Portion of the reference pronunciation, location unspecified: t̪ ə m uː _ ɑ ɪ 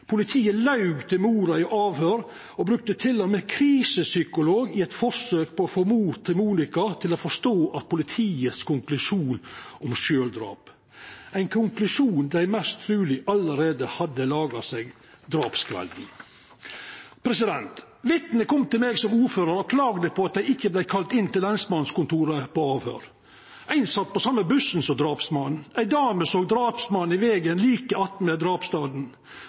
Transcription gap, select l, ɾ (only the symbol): ɾ